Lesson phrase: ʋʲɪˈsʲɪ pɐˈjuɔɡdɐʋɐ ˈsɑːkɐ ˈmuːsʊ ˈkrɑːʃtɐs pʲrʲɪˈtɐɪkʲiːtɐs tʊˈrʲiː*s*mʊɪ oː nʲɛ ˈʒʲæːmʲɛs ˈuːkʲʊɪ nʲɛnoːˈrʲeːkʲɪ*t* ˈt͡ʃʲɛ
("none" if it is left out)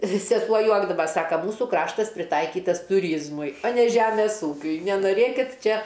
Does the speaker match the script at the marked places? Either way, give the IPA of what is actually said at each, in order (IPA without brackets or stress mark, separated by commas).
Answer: z, t